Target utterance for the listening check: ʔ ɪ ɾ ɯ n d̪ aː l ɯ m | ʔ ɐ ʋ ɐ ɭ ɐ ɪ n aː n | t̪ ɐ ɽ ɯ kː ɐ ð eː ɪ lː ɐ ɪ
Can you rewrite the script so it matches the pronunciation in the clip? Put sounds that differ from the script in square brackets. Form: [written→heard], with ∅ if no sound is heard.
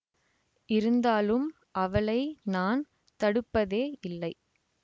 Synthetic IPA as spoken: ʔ ɪ ɾ ɯ n d̪ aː l ɯ m | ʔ ɐ ʋ ɐ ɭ ɐ ɪ n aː n | t̪ ɐ ɽ ɯ [kː→pː] ɐ ð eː ɪ lː ɐ ɪ

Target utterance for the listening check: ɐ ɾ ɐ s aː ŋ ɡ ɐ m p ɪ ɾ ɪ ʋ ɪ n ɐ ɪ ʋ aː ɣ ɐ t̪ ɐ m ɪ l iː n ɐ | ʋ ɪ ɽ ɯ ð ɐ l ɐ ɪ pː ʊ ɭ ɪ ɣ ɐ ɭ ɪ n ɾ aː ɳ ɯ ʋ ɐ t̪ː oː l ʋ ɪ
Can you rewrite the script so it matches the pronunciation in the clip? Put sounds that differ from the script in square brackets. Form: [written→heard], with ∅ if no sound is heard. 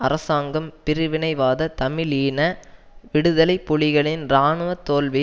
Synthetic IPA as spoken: ɐ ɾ ɐ s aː ŋ ɡ ɐ m p ɪ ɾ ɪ ʋ ɪ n ɐ ɪ ʋ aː [ɣ→ð] ɐ t̪ ɐ m ɪ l iː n ɐ | ʋ ɪ ɽ ɯ ð ɐ l ɐ ɪ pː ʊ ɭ ɪ ɣ ɐ ɭ ɪ n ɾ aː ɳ ɯ ʋ ɐ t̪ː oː l ʋ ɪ

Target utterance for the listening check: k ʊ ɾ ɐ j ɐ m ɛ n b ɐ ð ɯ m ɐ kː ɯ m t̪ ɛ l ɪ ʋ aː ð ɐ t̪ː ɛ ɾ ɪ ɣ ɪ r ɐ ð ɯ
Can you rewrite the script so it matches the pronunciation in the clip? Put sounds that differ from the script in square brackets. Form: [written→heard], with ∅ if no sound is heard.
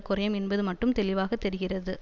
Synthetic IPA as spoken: k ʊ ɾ ɐ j ɐ m ɛ n b ɐ ð ɯ m ɐ [kː→ʈː] ɯ m t̪ ɛ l ɪ ʋ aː [ð→ɣ] ɐ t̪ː ɛ ɾ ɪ ɣ ɪ r ɐ ð ɯ

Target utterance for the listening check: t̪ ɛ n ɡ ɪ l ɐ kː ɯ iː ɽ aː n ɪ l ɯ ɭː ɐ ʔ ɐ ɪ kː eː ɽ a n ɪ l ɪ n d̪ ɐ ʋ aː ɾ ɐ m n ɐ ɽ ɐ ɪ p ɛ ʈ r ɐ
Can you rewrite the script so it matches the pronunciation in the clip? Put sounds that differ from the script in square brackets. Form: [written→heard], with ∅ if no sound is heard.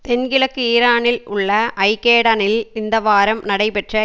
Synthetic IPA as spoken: t̪ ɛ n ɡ ɪ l ɐ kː ɯ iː [ɽ→ɾ] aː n ɪ l [ɯ→ʊ] ɭː ɐ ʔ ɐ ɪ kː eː ɽ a n ɪ l ɪ n d̪ ɐ ʋ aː ɾ ɐ m n ɐ ɽ ɐ ɪ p ɛ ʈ r ɐ

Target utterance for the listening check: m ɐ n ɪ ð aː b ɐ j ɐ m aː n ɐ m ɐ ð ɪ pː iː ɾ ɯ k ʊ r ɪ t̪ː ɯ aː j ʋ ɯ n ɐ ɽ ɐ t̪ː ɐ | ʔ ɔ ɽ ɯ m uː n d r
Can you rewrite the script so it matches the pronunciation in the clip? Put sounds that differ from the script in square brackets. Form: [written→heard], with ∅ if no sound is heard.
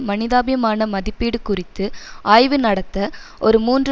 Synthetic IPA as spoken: m ɐ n ɪ ð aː b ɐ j ɐ m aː n ɐ m ɐ ð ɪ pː iː [ɾ→ɽ] ɯ k ʊ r ɪ t̪ː ɯ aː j ʋ ɯ n ɐ ɽ ɐ t̪ː ɐ | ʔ ɔ [ɽ→ɾ] ɯ m uː n d r

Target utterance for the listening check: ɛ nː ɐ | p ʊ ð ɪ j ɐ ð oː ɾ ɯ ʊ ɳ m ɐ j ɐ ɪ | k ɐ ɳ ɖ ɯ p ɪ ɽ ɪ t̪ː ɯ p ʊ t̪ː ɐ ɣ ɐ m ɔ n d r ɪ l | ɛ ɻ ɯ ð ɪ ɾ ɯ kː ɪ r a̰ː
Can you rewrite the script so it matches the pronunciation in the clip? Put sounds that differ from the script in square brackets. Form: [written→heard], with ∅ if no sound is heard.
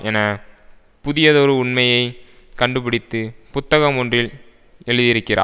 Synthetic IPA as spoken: ɛ [nː→n] ɐ | p ʊ ð ɪ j ɐ ð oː ɾ ɯ ʊ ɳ m ɐ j ɐ ɪ | k ɐ ɳ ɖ ɯ p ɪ ɽ ɪ t̪ː ɯ p ʊ t̪ː ɐ ɣ ɐ m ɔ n d r ɪ l | ɛ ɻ ɯ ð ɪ ɾ ɯ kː ɪ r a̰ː

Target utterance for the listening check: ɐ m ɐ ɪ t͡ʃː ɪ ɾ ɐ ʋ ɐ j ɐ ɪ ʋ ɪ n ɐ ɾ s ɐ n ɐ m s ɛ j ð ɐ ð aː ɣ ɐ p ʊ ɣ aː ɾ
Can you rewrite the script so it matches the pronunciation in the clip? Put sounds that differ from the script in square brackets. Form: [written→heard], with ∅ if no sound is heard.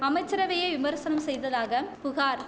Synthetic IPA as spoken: ɐ m ɐ ɪ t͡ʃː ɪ ɾ ɐ ʋ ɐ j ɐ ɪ ʋ ɪ [n→m] ɐ ɾ s ɐ n ɐ m s ɛ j ð ɐ ð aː ɣ ɐ p ʊ ɣ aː ɾ

